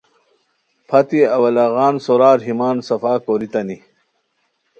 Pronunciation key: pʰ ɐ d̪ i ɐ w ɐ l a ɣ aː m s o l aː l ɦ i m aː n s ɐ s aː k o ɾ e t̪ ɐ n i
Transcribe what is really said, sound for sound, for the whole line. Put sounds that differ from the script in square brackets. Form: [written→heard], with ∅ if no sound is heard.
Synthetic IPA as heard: pʰ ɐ [d̪→t̪] i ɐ w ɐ l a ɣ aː [m→n] s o [l→ɾ] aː [l→ɾ] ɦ i m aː n s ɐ [s→f] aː k o ɾ [e→i] t̪ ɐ n i